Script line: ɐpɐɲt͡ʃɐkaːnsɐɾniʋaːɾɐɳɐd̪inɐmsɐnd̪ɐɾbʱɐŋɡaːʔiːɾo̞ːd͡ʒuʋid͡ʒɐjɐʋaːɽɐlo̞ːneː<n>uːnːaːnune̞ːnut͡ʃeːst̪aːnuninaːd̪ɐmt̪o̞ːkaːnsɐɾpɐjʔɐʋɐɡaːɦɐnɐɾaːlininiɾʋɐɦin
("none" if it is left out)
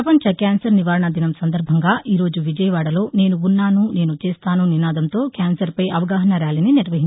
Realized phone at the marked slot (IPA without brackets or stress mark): n